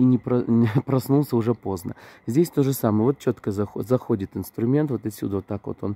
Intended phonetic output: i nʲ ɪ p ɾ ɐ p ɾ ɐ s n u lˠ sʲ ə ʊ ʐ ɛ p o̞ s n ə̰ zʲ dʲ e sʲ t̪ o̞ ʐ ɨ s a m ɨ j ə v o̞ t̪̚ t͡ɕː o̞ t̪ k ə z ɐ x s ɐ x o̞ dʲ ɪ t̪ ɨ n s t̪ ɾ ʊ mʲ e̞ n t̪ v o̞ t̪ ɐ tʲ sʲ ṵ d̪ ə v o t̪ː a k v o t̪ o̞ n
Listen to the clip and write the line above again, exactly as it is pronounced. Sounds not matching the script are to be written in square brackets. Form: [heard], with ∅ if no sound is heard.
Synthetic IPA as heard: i nʲ ɪ p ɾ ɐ p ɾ ɐ s n u lˠ sʲ ə ʊ ʐ ɛ p o̞ [z] n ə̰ zʲ dʲ e sʲ t̪ o̞ ʐ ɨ s a m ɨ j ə v o̞ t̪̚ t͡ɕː o̞ t̪ k ə z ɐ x [z] ɐ x o̞ dʲ ɪ t̪ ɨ n s t̪ ɾ ʊ mʲ e̞ n t̪ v o̞ t̪ ɐ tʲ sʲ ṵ d̪ ə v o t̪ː a k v o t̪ o̞ n